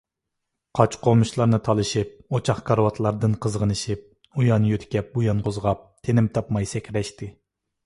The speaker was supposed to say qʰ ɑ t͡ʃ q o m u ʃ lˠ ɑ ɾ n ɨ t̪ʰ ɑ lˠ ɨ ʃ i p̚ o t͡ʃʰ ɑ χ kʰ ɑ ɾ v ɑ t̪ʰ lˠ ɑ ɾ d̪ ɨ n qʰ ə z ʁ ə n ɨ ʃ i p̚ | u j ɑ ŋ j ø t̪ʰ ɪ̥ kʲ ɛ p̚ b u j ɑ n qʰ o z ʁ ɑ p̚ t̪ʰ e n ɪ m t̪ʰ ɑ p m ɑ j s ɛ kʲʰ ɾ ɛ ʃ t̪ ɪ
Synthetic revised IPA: qʰ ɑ t͡ʃ q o m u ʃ lˠ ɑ ɾ n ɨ t̪ʰ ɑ lˠ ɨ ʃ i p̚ o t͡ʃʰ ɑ χ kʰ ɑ ɾ w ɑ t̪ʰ lˠ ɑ ɾ d̪ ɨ n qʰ ə z ʁ ə n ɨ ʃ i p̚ | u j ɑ n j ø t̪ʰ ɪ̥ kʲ ɛ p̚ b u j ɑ n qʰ o z ʁ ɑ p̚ t̪ʰ e n ɪ m t̪ʰ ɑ p m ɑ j s ɛ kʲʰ ɾ ɛ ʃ t̪ ɪ